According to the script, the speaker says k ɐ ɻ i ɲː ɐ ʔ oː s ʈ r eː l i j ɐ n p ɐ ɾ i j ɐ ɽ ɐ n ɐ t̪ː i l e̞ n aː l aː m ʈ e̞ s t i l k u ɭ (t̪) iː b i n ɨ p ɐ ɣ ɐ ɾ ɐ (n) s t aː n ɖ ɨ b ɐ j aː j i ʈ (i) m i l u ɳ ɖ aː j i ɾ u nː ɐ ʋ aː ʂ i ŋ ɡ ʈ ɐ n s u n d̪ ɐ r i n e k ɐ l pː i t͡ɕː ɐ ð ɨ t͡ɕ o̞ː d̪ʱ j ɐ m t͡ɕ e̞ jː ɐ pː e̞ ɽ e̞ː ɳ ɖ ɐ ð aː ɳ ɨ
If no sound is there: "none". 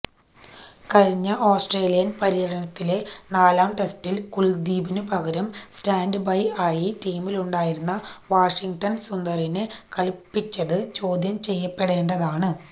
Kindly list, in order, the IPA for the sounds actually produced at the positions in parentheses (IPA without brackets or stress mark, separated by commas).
d̪, m, iː